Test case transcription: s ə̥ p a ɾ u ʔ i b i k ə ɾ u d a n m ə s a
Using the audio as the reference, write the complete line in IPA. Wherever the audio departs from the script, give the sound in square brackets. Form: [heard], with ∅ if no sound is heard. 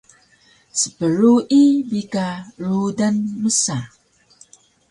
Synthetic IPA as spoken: s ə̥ p [ə] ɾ u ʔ i b i k [a] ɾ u d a n m ə s a